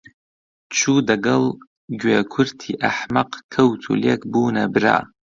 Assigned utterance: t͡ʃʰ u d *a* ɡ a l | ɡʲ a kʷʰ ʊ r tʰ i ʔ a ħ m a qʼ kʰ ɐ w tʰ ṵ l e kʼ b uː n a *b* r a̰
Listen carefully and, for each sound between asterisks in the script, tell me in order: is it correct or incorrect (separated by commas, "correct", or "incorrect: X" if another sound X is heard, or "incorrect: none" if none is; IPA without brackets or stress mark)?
correct, correct